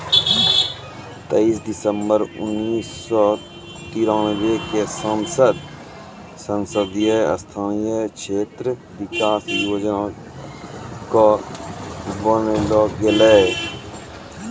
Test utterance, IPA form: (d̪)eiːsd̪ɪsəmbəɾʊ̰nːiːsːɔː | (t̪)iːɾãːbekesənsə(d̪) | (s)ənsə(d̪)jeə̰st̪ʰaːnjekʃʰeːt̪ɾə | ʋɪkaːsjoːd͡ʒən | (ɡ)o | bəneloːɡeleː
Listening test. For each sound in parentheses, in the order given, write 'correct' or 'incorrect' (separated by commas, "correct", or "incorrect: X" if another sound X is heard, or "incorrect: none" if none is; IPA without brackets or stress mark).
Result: incorrect: t̪, correct, correct, correct, correct, incorrect: k